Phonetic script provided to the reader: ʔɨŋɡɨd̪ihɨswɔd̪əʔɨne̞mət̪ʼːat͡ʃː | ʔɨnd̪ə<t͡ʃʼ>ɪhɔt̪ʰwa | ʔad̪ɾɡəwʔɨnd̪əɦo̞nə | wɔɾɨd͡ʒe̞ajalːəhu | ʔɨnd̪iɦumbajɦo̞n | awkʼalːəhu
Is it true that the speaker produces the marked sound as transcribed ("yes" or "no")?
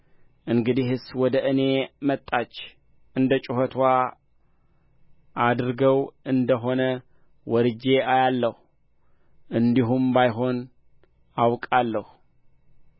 yes